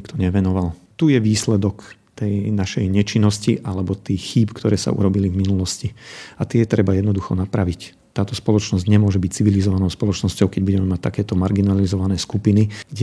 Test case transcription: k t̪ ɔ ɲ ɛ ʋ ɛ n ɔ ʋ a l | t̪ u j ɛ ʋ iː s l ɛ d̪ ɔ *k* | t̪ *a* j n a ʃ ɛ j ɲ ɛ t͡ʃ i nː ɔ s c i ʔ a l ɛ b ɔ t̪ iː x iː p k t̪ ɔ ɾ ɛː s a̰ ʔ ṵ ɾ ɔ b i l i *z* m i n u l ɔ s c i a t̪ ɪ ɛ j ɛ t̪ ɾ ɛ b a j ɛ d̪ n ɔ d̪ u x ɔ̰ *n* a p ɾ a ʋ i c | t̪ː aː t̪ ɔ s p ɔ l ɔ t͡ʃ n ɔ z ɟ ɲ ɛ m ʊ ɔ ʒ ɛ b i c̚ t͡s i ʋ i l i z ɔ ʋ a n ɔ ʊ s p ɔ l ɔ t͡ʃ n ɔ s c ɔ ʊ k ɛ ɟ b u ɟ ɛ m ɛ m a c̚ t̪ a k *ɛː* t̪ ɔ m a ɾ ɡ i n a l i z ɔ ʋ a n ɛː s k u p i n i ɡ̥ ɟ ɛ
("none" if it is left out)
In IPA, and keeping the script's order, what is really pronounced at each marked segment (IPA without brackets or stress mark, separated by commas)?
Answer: k, ɛ, v, n, ɛː